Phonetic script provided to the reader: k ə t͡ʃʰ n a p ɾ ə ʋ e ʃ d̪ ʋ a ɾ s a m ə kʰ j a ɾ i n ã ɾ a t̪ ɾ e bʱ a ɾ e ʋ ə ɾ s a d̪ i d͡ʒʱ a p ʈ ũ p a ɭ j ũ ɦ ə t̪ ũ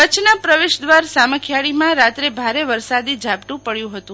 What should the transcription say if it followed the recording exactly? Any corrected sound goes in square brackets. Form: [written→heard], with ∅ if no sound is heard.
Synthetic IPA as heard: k ə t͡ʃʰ n a p ɾ ə ʋ e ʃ d̪ ʋ a ɾ s a m ə kʰ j a [ɾ→ɭ] i [n→m] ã ɾ a t̪ ɾ e bʱ a ɾ e ʋ ə ɾ s a d̪ i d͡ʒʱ a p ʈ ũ p [a→ə] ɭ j ũ ɦ ə t̪ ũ